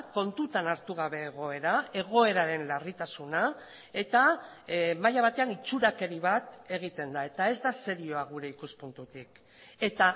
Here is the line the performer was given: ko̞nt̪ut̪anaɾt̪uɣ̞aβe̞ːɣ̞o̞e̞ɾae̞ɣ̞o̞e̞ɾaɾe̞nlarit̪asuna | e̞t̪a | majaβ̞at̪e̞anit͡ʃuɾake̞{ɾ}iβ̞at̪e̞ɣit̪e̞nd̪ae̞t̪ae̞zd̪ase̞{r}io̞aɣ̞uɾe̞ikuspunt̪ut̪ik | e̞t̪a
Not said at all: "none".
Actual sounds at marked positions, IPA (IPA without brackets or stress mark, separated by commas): ɾ, ɾ